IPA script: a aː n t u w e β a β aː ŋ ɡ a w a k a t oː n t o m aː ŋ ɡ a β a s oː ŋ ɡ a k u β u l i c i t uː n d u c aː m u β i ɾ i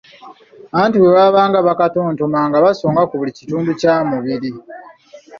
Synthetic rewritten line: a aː n t u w e β a β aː ŋ ɡ a β a k a t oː n t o m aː ŋ ɡ a β a s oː ŋ ɡ a k u β u l i c i t uː n d u c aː m u β i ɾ i